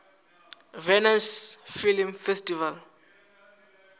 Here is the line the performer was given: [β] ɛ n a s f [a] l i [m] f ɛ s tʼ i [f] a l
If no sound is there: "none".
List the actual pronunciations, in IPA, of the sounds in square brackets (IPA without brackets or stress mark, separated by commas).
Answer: v, i, m, v